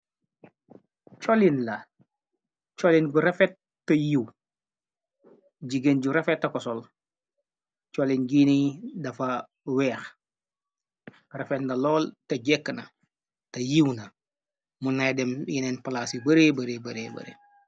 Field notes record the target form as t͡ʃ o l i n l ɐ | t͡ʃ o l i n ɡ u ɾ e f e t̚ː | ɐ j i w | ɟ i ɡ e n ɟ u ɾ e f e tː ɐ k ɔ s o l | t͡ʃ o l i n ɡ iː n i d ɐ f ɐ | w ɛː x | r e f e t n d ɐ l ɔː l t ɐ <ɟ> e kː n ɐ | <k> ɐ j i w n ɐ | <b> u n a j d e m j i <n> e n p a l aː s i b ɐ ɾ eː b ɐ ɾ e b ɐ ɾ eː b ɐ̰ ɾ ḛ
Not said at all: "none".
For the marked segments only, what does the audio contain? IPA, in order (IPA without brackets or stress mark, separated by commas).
ɟ, t, m, n